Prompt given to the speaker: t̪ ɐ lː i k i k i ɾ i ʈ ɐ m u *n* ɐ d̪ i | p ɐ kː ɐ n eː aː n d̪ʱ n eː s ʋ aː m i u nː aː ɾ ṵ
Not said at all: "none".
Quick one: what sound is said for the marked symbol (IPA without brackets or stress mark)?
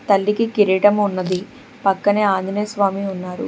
nː